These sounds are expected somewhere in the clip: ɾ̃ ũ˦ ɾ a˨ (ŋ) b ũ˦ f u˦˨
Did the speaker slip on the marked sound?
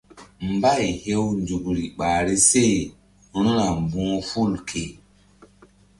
yes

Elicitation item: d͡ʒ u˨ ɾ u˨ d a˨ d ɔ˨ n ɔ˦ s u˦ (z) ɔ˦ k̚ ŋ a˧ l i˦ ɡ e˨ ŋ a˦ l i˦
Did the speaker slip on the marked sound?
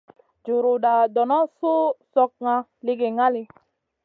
yes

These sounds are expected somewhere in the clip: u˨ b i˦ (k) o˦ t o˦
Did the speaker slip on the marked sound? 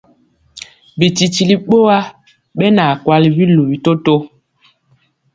yes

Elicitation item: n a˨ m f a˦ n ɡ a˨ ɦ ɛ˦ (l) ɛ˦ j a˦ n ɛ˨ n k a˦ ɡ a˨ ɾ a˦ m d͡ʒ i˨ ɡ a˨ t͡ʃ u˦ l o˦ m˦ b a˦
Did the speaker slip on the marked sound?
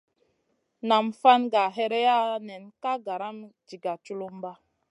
yes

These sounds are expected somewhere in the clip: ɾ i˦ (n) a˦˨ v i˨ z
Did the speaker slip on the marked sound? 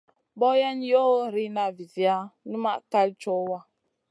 no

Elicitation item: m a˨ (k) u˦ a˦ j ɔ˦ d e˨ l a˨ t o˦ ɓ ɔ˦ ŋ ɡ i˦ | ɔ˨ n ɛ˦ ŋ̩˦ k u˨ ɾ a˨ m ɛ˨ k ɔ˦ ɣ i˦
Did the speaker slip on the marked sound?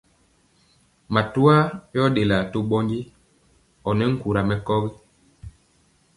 yes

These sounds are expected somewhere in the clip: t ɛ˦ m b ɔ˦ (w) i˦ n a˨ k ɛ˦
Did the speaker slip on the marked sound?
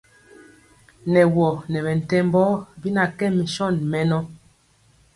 yes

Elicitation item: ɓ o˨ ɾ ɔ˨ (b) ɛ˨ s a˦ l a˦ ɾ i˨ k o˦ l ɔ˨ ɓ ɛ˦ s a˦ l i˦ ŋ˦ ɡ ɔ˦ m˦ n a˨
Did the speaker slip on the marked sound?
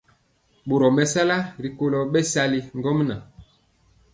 yes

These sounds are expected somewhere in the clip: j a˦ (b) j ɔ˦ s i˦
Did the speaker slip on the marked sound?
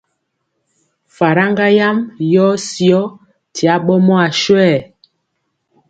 yes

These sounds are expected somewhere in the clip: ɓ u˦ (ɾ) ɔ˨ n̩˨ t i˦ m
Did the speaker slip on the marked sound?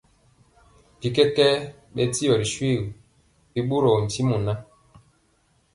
no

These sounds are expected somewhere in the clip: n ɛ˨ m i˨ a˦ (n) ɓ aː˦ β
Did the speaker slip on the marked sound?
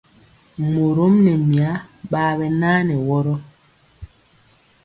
yes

